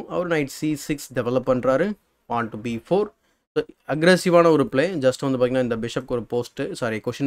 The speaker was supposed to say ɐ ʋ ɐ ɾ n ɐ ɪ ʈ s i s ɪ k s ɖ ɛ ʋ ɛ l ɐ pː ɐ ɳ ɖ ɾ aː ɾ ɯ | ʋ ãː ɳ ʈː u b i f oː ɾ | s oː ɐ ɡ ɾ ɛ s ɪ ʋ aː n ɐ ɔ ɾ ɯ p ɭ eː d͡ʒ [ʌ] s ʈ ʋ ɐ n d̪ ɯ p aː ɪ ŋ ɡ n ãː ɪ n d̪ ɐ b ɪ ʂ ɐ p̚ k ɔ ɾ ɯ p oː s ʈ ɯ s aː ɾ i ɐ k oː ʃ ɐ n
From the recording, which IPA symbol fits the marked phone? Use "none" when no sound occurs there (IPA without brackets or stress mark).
ɐ